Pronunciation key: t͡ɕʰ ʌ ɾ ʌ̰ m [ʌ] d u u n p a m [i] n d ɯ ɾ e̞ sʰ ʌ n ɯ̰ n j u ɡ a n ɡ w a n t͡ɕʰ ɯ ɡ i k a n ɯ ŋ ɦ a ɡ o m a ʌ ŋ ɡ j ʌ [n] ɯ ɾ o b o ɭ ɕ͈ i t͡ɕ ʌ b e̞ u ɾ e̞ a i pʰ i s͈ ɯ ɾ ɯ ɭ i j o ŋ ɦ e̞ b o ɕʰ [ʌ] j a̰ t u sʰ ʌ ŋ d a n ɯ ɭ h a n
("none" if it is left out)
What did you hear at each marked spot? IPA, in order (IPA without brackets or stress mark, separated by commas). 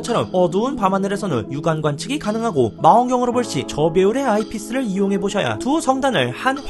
ʌ, a, ŋ, ʌ